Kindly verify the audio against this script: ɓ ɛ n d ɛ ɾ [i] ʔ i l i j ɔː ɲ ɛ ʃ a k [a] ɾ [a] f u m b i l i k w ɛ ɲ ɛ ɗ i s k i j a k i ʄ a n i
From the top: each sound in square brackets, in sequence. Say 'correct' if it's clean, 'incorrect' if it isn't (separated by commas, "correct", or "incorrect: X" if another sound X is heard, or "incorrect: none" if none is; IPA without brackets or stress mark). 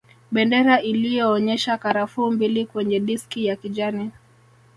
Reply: incorrect: a, correct, correct